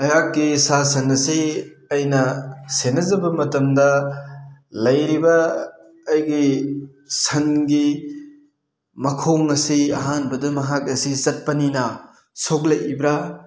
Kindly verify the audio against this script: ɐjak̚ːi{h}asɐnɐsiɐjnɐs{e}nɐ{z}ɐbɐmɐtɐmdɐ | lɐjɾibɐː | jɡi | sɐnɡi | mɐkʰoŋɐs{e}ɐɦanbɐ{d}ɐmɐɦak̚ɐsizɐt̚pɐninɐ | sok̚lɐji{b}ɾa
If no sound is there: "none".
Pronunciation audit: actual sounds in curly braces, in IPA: s, e, z, i, d, b

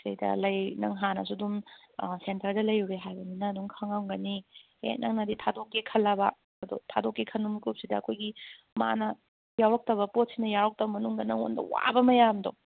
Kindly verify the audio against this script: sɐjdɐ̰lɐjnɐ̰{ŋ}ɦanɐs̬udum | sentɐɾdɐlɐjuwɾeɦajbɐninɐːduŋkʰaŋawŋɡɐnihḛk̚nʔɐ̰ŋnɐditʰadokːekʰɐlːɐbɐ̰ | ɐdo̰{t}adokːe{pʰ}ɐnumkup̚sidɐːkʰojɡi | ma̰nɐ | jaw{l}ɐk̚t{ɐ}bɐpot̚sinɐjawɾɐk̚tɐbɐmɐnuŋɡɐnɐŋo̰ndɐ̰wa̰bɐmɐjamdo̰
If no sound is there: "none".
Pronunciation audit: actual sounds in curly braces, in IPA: ŋ, tʰ, kʰ, ɾ, ɐ

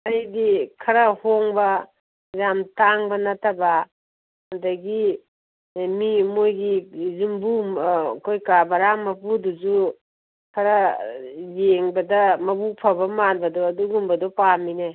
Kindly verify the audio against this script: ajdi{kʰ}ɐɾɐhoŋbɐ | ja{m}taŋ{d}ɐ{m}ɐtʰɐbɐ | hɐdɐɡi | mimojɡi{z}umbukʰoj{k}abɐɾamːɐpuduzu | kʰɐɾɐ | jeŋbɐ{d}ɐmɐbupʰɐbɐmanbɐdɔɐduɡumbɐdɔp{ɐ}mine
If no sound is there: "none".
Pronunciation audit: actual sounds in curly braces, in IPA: kʰ, m, b, n, z, k, d, a

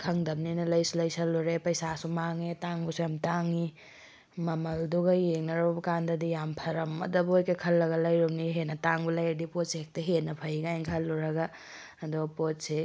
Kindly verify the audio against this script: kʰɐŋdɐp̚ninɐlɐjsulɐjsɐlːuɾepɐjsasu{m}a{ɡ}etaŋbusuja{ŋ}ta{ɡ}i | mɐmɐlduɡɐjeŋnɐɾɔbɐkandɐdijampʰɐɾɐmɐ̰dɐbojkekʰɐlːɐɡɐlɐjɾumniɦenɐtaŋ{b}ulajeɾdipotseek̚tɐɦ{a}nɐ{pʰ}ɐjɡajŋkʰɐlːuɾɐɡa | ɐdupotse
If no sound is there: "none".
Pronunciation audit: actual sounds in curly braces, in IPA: m, ŋ, m, ŋ, b, e, pʰ

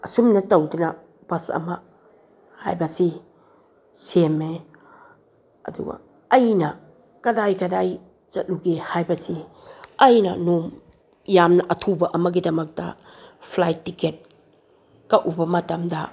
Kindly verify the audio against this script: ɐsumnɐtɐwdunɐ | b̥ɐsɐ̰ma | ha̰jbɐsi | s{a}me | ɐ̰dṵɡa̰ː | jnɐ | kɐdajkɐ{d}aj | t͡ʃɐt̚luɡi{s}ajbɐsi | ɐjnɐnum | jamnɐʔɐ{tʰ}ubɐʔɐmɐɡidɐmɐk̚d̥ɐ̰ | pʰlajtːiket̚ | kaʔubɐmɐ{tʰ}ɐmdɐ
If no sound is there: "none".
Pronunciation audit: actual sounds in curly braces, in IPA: e, d, h, tʰ, t

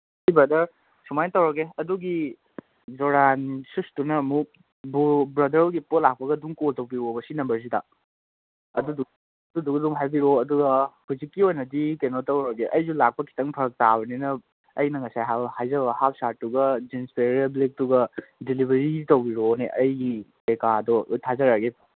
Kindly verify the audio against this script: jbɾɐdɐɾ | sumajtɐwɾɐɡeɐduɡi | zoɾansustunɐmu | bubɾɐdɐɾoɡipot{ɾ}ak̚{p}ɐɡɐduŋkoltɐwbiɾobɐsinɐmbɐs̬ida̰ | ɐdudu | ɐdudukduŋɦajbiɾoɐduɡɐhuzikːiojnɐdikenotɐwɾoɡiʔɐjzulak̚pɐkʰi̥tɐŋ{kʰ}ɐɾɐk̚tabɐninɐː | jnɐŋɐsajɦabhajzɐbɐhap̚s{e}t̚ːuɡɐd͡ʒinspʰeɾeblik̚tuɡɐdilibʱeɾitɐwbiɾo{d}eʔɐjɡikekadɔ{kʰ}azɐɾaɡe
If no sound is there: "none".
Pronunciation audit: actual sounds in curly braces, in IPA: l, p, pʰ, a, n, tʰ

